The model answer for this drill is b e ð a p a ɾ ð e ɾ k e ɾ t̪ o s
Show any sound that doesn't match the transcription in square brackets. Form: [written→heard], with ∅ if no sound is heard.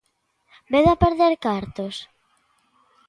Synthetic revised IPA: b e ð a p [a→e] ɾ ð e ɾ k [e→a] ɾ t̪ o s